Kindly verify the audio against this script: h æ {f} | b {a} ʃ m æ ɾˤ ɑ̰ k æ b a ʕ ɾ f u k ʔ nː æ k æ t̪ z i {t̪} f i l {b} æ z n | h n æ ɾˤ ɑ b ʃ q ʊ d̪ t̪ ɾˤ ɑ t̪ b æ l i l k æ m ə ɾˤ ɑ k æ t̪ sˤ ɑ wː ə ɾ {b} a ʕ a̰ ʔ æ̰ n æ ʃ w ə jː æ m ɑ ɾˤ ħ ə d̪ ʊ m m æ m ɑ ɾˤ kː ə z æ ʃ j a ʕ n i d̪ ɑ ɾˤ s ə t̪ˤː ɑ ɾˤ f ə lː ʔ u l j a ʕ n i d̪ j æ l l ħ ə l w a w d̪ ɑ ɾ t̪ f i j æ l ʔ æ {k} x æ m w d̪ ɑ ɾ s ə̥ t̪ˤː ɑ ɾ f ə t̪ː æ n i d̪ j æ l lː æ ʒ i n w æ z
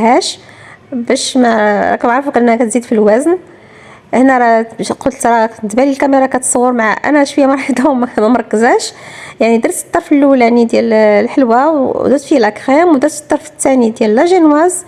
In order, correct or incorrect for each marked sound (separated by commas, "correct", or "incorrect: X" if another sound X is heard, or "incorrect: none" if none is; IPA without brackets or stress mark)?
incorrect: ʃ, incorrect: æ, incorrect: d̪, incorrect: w, incorrect: m, correct